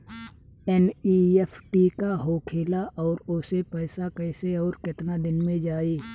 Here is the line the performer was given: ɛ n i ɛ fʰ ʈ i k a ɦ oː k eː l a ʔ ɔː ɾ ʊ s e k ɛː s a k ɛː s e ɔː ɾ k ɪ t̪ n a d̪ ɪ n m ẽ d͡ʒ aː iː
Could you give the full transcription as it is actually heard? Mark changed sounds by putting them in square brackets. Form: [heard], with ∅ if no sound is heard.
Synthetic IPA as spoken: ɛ n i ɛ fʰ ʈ i k a ɦ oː [kʰ] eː l a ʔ ɔː ɾ ʊ s e [p] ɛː s a k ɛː s e ɔː ɾ k ɪ t̪ n a d̪ ɪ n m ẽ d͡ʒ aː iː

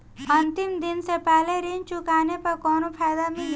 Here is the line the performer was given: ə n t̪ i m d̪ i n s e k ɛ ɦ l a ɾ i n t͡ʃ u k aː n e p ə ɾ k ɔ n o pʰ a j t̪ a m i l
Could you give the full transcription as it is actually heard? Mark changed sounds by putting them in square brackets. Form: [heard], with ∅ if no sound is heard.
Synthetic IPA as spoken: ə n t̪ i m d̪ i n s e [p] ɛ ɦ l [e] ɾ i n t͡ʃ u k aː n e p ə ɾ k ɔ n o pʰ a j [d̪] a m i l

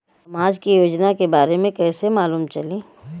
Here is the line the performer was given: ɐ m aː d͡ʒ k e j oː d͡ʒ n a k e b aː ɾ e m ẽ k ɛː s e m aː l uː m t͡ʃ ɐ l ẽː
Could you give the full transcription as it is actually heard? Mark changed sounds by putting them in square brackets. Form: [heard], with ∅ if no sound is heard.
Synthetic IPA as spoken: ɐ m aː d͡ʒ k [i] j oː d͡ʒ n a k e b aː ɾ e m ẽ k ɛː s e m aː l uː m t͡ʃ ɐ l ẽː

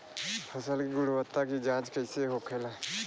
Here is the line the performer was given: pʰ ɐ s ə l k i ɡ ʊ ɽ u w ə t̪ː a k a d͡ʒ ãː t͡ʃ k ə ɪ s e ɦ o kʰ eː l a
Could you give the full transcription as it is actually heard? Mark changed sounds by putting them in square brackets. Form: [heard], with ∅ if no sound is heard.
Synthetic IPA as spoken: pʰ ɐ s ə l k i ɡ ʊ ɽ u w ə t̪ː a k [i] d͡ʒ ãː t͡ʃ k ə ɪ s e ɦ o kʰ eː l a

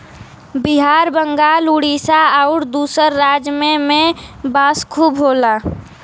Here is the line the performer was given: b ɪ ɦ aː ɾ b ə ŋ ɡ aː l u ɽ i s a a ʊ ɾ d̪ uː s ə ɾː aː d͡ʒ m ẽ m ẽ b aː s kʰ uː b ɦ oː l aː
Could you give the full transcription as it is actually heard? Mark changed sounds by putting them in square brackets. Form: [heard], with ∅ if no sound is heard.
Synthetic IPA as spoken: b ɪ ɦ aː ɾ b ə ŋ ɡ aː l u ɽ i s a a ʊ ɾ d̪ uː s ə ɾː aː d͡ʒ m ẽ m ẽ b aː s kʰ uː b ɦ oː l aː

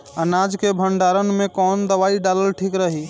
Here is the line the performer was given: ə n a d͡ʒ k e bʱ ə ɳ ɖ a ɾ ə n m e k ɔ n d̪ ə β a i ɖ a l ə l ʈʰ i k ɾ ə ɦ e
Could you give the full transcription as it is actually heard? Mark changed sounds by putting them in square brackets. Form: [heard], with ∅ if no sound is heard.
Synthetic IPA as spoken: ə n a d͡ʒ k e bʱ ə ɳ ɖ a ɾ ə n m e k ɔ n d̪ ə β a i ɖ a l ə l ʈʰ i k ɾ ə ɦ [i]

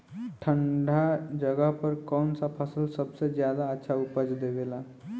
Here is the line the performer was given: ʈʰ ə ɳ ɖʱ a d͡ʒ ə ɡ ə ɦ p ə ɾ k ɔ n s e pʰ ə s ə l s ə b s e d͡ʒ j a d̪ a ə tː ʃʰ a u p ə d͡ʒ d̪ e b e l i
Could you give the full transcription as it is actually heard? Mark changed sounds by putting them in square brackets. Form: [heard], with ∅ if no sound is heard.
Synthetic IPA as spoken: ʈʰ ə ɳ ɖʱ a d͡ʒ ə ɡ ə ɦ p ə ɾ k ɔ n s [a] pʰ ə s ə l s ə b s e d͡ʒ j a d̪ a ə tː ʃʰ a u p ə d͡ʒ d̪ e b e l [a]

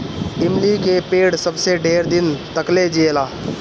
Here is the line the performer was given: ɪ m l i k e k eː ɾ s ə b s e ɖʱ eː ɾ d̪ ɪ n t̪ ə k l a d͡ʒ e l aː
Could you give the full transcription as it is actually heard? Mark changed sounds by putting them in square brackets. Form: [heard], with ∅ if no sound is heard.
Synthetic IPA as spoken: ɪ m l i k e [p] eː [ɽ] s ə b s e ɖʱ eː ɾ d̪ ɪ n t̪ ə k l [e] d͡ʒ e l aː

